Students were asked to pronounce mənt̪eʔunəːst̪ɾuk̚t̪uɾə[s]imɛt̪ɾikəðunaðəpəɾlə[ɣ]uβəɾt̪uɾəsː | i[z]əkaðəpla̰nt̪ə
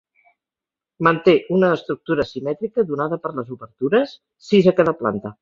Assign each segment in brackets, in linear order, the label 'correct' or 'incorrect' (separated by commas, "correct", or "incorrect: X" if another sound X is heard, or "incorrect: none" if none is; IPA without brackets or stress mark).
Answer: correct, incorrect: z, correct